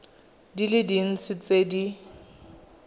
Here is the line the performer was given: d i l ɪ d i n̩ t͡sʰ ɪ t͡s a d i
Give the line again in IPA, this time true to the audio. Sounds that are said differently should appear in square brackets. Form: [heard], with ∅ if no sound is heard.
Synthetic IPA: d i l ɪ d i n̩ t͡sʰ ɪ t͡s [e] d i